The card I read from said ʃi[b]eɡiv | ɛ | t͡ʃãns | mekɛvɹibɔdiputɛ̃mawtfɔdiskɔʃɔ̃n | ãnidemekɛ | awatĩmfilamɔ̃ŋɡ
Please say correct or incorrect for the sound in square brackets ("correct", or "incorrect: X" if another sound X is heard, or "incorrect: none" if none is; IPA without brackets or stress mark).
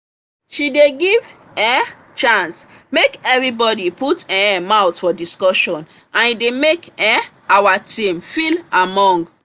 incorrect: d